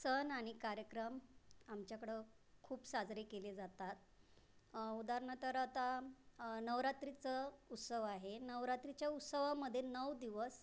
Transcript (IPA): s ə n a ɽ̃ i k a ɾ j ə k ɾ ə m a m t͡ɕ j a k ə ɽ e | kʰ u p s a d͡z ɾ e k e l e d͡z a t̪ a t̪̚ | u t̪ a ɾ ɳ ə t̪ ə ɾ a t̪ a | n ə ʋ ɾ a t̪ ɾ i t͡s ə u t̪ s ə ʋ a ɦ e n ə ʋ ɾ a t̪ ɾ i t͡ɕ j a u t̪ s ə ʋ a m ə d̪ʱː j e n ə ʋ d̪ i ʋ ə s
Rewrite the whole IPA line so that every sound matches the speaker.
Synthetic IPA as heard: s ə n a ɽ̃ i k a ɾ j ə k ɾ ə m a m t͡ɕ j a k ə ɽ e | kʰ uː p s a d͡z ɾ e k e l e d͡z a t̪ a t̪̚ | u d̪ a ɾ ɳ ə t̪ ə ɾ a t̪ a | n ə ʋ ɾ a t̪ ɾ i t͡s ə u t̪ s ə ʋ a ɦ e n ə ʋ ɾ a t̪ ɾ i t͡ɕ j a u t̪ s ə ʋ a m ə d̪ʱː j e n ə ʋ d̪ i ʋ ə s